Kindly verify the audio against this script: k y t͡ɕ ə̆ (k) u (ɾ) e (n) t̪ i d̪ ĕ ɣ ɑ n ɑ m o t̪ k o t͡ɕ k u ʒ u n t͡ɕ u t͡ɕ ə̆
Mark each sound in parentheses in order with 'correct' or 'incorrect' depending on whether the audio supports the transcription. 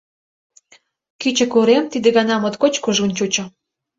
correct, correct, incorrect: m

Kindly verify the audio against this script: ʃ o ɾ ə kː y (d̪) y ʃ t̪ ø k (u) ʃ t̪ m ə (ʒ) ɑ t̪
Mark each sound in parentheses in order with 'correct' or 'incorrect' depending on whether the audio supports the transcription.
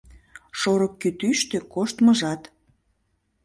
incorrect: t̪, incorrect: o, correct

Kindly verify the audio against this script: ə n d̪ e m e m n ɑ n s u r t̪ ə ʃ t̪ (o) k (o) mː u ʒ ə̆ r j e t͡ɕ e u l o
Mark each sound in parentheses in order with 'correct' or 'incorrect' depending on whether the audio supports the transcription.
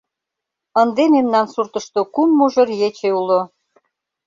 correct, incorrect: u

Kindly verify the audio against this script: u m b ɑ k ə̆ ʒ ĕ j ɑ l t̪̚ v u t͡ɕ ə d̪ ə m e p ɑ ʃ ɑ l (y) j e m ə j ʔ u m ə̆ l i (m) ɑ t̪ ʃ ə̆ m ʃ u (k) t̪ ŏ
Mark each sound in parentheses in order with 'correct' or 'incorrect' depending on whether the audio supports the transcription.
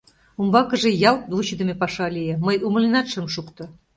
incorrect: i, incorrect: n, correct

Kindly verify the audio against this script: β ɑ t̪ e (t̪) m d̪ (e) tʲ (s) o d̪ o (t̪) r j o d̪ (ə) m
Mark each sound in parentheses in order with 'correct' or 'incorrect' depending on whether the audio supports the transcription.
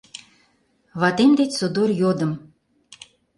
incorrect: none, correct, correct, incorrect: none, correct

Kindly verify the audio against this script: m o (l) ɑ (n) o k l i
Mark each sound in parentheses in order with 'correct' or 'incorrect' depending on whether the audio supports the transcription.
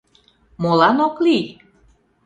correct, correct

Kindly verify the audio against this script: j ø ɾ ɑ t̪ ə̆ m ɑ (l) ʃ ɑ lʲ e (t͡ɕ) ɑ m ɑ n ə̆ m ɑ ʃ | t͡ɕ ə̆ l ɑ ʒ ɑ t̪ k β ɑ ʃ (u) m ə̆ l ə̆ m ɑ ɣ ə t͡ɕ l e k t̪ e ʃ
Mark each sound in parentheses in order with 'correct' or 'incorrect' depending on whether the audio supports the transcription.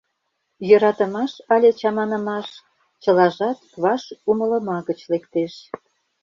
incorrect: none, correct, correct

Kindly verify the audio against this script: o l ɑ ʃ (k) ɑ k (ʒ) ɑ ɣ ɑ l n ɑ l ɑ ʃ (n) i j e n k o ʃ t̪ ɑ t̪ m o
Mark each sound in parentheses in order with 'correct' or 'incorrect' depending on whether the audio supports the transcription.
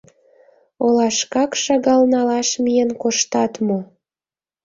correct, incorrect: ʃ, incorrect: m

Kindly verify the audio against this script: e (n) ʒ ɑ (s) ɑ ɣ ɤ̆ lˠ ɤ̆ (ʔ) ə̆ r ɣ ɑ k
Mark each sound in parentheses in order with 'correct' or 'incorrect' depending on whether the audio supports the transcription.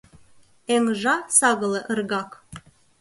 incorrect: ŋ, correct, correct

